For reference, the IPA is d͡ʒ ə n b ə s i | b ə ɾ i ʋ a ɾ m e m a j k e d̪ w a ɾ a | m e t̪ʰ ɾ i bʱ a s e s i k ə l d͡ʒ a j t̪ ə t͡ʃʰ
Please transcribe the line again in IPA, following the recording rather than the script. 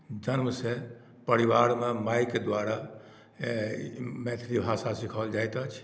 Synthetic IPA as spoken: d͡ʒ ə n m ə s e | p ə ɾ i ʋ a ɾ m e m a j k e d̪ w a ɾ a | m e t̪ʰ ɾ i bʱ a s a s i kʰ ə l d͡ʒ a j t̪ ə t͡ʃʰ